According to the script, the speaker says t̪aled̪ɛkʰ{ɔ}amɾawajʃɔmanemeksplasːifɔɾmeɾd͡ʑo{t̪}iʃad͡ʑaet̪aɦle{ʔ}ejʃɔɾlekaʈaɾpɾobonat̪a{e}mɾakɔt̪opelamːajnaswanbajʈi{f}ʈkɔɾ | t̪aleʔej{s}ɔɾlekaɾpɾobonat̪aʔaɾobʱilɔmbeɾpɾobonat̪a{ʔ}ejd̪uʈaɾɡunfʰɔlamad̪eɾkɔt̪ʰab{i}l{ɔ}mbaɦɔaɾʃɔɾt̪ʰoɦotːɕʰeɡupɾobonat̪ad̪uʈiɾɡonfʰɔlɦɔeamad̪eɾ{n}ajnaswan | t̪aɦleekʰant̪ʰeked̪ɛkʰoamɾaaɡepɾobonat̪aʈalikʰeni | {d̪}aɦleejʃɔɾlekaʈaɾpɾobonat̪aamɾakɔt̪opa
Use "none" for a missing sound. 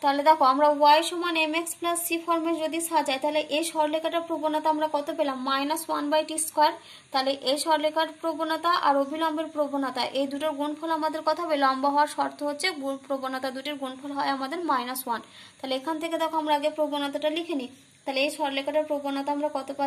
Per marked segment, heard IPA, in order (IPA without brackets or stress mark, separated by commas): o, d̪, ʔ, a, s, ʃ, ʔ, e, ɔ, m, t̪